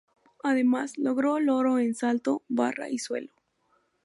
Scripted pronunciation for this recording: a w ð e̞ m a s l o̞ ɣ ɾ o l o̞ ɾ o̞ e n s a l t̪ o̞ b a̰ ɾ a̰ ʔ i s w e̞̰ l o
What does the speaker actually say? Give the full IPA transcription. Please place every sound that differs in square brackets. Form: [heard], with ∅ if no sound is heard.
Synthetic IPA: a [∅] ð e̞ m a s l o̞ ɣ ɾ o l o̞ ɾ o̞ e n s a l t̪ o̞ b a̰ [r] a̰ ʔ i s w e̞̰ l o

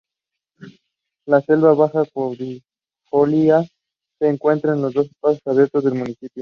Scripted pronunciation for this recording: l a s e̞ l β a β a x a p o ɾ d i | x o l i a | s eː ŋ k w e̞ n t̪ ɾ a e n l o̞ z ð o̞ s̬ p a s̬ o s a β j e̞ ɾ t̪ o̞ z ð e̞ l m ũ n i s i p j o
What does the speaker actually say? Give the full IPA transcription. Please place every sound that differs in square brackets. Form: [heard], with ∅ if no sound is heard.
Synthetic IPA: l a s e̞ l β a β a x a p o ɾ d i | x o l i a | s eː ŋ k w e̞ n t̪ ɾ a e n l o̞ z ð o̞ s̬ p a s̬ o s a β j e̞ ɾ t̪ o̞ z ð e̞ l m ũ n i s i p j o

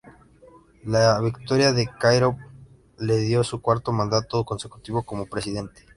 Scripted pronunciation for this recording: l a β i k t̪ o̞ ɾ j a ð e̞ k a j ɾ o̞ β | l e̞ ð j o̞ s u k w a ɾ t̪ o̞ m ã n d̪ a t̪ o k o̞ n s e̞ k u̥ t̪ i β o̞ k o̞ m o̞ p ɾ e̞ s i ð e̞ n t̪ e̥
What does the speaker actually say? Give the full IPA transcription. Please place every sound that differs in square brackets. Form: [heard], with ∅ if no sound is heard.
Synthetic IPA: l a β i k t̪ o̞ ɾ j a ð e̞ k a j ɾ o̞ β | l e̞ ð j o̞ s u k w a ɾ t̪ o̞ m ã n d̪ a t̪ o k o̞ n s e̞ k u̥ t̪ i β o̞ k o̞ m o̞ p ɾ e̞ s i ð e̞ n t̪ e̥

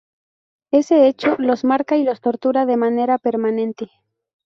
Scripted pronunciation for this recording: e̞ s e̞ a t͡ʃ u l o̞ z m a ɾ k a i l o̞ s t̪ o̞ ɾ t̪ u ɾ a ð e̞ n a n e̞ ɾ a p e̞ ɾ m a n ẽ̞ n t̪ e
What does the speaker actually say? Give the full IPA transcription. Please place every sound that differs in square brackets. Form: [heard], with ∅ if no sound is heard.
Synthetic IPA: e̞ s e̞ [e] t͡ʃ [o] l o̞ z m a ɾ k a i l o̞ s t̪ o̞ ɾ t̪ u ɾ a ð e̞ [m] a n e̞ ɾ a p e̞ ɾ m a n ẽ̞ n t̪ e

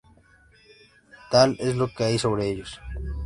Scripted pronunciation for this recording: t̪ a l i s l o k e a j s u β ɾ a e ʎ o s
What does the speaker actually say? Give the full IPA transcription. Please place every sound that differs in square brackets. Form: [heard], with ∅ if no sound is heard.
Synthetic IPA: t̪ a l [e] s l o k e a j s [o] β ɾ [e] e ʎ o s

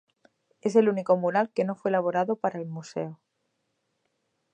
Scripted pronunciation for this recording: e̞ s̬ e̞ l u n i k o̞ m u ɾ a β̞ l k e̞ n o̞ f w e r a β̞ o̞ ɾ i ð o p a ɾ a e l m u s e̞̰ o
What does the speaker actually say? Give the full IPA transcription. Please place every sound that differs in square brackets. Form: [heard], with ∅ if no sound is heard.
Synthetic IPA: e̞ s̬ e̞ l u n i k o̞ m u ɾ a [∅] l k e̞ n o̞ f w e [l] a β̞ o̞ ɾ [a] ð o p a ɾ a e l m u s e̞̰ o

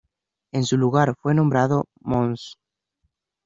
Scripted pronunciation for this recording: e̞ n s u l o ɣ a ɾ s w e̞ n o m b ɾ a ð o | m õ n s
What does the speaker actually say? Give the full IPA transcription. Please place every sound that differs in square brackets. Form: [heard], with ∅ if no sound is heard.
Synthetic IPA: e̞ n s u l [u] ɣ a ɾ [f] w e̞ n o m b ɾ a ð o | m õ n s

